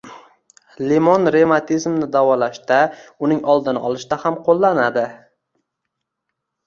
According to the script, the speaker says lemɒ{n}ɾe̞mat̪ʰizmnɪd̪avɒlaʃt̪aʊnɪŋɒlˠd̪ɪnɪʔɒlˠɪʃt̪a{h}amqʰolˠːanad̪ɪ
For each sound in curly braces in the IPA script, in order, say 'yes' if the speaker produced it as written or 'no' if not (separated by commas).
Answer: yes, yes